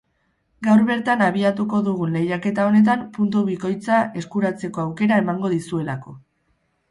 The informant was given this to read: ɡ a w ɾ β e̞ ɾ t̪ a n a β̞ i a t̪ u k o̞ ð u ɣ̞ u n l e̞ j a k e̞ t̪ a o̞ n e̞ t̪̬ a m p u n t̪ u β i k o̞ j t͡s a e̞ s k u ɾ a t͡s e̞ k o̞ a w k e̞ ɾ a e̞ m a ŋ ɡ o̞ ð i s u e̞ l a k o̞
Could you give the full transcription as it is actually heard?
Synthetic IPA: ɡ a w ɾ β e̞ ɾ t̪ a n a β̞ i a t̪ u k o̞ ð u ɣ̞ u n l e̞ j a k e̞ t̪ a o̞ n e̞ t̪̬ a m p u n t̪ u β i k o̞ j t͡s a e̞ s k u ɾ a t͡s e̞ k o̞ a w k e̞ ɾ a e̞ m a ŋ ɡ o̞ ð i s u e̞ l a k o̞